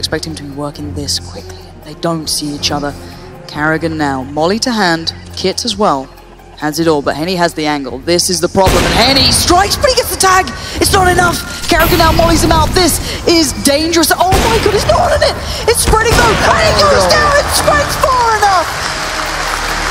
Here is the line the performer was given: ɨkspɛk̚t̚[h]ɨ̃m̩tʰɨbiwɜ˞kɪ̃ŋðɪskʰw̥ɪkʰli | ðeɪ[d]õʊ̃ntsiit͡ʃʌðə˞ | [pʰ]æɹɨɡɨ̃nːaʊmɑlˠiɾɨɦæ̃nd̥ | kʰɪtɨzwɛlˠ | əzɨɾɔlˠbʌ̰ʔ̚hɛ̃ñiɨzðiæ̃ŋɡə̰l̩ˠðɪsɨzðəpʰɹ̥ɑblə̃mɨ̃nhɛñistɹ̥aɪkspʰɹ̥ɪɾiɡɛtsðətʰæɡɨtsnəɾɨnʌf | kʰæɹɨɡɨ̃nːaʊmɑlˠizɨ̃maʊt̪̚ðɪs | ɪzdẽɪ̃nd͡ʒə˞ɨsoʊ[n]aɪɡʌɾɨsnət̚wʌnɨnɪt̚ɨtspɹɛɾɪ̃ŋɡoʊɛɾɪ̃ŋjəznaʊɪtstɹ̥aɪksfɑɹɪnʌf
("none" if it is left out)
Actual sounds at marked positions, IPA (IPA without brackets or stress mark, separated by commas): h, d, kʰ, m